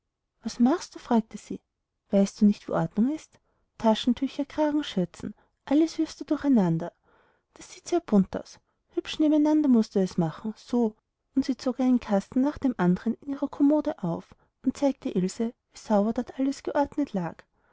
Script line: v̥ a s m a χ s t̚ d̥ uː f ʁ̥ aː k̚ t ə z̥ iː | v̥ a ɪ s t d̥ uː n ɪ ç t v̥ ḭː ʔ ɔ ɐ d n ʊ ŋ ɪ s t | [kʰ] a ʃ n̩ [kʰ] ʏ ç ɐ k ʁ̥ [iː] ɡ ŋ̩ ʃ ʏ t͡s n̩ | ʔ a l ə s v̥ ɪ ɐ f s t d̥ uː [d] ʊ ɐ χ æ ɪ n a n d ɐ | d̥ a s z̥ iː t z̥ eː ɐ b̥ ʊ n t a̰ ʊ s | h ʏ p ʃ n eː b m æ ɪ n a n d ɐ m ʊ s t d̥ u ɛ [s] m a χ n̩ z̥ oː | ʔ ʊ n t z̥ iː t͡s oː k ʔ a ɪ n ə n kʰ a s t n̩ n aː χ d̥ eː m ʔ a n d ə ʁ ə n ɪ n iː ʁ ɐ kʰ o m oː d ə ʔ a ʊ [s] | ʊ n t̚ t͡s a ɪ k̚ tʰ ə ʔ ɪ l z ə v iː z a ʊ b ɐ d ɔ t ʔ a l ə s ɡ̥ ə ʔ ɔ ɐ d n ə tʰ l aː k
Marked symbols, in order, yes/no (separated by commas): no, no, no, yes, yes, no